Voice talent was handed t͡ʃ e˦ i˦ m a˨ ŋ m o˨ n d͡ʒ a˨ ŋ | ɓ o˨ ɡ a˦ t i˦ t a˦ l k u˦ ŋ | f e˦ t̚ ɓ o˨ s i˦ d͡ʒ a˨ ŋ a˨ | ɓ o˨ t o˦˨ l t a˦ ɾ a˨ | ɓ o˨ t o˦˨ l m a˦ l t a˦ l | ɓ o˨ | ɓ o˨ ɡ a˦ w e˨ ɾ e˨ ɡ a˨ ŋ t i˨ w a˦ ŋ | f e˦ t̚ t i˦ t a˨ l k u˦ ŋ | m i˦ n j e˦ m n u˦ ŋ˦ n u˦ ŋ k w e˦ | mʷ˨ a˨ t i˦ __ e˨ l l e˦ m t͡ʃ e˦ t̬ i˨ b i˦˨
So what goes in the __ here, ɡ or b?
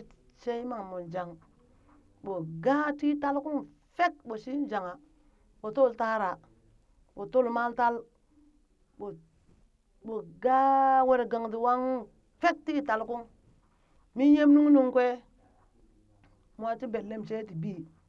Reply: b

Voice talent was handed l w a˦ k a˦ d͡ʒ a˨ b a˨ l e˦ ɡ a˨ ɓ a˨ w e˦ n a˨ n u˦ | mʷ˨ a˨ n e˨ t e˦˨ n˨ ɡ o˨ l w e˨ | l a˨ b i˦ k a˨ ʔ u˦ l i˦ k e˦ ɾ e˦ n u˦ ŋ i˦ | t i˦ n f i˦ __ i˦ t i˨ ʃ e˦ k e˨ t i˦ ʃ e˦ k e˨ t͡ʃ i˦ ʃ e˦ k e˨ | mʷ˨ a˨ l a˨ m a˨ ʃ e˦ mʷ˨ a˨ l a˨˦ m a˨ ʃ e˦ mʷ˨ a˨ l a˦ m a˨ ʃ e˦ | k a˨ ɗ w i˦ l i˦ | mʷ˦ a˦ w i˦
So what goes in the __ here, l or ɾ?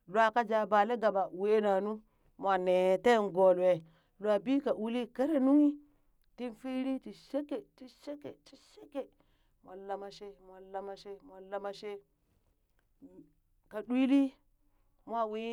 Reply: ɾ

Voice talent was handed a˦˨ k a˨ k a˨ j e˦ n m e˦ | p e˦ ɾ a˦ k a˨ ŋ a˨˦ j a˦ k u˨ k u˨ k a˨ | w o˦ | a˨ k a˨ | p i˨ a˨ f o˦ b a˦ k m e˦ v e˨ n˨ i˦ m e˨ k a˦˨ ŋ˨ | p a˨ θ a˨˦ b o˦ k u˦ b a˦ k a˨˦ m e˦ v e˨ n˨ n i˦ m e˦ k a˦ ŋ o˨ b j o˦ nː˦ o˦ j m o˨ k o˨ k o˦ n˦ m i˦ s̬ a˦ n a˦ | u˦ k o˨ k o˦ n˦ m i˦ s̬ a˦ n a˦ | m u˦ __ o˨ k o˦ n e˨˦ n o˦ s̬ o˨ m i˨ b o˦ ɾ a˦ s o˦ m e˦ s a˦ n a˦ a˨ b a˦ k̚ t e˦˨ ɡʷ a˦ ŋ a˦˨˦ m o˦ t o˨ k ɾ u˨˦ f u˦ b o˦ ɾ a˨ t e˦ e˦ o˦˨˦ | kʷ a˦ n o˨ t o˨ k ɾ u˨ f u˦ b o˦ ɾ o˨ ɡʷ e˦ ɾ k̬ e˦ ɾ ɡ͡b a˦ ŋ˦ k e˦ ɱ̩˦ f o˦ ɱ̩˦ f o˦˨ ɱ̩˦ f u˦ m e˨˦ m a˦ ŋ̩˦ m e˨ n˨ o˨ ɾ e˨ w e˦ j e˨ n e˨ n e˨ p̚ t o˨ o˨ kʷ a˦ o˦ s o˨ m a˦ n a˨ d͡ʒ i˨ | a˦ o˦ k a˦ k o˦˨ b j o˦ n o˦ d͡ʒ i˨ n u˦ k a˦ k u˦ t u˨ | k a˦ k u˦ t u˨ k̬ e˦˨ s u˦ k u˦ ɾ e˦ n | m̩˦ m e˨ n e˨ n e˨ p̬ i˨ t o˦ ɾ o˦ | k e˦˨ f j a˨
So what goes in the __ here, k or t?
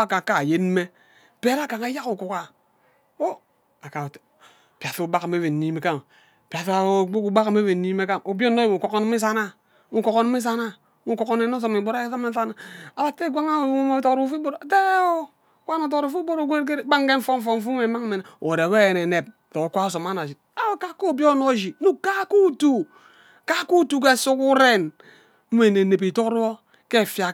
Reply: k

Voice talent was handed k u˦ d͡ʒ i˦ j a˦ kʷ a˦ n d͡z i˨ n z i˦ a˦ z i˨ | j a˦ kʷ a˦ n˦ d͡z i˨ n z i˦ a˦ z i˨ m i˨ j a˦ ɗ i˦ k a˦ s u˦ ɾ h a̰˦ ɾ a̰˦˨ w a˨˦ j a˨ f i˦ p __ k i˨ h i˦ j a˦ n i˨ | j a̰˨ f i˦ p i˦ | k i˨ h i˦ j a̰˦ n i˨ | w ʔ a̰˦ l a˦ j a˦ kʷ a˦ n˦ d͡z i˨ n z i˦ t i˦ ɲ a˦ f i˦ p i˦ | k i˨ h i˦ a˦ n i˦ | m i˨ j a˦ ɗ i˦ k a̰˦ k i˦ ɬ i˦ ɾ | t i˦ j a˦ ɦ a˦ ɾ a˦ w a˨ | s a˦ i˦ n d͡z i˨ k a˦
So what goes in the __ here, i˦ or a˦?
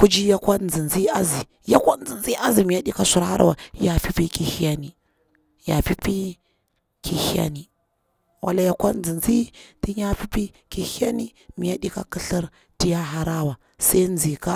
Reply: i˦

